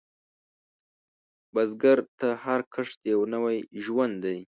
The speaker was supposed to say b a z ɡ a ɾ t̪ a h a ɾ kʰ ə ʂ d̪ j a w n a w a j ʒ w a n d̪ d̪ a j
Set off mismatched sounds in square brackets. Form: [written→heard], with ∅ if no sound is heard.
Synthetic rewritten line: b a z ɡ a ɾ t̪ a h a ɾ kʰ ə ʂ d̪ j a w n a w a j ʒ w a n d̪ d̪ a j